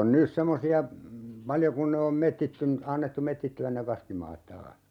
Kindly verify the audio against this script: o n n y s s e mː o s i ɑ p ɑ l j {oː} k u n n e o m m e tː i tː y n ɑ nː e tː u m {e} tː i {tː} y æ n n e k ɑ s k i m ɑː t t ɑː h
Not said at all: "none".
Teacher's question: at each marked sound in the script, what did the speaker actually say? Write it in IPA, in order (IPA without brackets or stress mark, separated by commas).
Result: o, e, tː